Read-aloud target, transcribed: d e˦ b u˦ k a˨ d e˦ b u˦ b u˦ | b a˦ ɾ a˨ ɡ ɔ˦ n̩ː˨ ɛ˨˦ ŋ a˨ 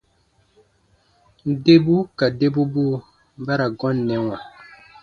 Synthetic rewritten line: d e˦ b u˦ k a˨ d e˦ b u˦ b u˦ | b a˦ ɾ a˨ ɡ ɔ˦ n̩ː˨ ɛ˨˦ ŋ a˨